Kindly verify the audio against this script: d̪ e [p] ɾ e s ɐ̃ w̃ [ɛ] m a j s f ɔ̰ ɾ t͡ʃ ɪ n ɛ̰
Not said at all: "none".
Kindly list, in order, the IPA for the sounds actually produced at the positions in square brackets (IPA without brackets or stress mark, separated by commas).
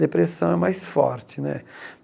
p, ɛ